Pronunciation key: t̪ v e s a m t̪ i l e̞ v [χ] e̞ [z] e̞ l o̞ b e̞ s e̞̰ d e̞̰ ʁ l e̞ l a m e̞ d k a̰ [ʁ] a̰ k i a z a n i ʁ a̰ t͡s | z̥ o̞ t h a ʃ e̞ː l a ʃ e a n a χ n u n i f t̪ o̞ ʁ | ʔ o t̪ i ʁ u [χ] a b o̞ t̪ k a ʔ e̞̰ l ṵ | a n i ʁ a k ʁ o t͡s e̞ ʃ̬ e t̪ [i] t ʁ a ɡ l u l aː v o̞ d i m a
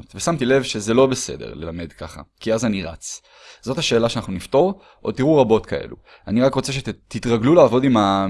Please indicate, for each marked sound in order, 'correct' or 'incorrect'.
incorrect: ʃ, correct, incorrect: χ, incorrect: ʁ, correct

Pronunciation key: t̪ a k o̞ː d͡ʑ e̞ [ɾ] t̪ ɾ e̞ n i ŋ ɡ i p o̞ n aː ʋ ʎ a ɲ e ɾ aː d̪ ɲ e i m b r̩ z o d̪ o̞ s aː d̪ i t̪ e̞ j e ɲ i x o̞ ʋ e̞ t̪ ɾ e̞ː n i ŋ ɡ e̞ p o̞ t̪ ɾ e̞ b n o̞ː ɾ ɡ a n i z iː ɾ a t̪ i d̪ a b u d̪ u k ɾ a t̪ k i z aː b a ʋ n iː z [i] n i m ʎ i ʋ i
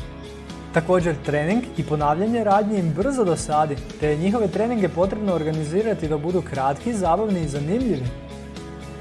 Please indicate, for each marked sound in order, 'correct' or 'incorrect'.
correct, incorrect: a

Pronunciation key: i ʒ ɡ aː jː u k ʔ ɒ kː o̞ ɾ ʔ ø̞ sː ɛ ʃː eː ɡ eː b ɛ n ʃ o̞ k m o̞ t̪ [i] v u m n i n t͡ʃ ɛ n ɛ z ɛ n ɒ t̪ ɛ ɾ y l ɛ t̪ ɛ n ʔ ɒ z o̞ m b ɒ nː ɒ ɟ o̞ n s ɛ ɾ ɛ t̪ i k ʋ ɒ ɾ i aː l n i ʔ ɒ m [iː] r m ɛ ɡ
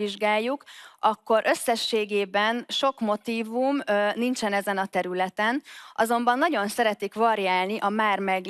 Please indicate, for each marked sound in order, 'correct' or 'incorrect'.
incorrect: iː, incorrect: aː

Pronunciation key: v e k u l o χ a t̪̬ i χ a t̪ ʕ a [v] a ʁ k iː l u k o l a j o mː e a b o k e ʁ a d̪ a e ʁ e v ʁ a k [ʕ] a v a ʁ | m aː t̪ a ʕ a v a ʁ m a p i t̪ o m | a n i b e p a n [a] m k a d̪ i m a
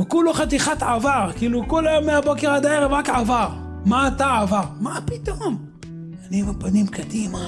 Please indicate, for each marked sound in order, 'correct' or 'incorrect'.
correct, correct, incorrect: i

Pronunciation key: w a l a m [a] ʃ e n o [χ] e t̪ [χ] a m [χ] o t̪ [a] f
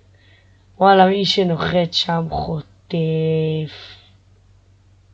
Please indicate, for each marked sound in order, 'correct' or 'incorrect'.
incorrect: i, correct, incorrect: ʃ, correct, incorrect: e

